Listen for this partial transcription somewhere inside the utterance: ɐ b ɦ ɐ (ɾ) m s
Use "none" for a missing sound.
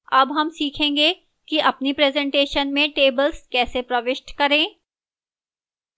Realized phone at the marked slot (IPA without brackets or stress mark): none